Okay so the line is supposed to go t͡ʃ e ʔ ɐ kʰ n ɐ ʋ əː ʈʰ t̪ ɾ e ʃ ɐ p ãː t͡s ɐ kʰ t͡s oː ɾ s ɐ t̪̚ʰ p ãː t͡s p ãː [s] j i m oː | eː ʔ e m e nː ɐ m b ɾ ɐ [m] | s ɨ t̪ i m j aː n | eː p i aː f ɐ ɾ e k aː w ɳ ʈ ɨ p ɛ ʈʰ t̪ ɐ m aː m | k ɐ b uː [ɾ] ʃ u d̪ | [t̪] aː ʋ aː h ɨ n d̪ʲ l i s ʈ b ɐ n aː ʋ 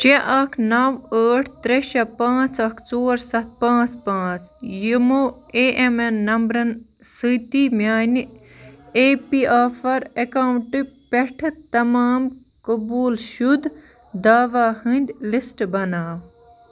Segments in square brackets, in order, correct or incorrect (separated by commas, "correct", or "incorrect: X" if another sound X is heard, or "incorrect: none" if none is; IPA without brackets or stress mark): incorrect: t͡s, incorrect: n, incorrect: l, incorrect: d̪